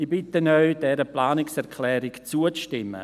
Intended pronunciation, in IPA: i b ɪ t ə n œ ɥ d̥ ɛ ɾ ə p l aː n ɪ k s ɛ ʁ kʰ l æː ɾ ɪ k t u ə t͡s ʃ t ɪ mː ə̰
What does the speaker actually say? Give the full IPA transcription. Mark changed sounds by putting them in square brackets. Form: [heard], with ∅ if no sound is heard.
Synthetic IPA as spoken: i b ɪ t ə n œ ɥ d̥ ɛ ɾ ə p l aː n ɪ k s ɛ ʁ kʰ l [ɛː] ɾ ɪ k [t͡s] u ə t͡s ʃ t ɪ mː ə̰